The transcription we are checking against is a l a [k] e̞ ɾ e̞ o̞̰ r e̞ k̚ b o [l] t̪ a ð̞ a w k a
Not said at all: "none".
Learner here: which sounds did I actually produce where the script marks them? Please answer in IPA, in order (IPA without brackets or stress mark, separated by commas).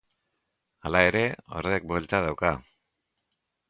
none, l